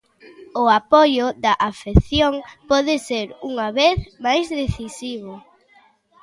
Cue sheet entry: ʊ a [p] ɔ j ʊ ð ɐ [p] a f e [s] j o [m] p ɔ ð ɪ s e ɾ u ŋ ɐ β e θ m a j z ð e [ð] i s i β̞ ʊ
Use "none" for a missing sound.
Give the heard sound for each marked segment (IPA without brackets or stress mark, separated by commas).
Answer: p, ʔ, θ, ŋ, θ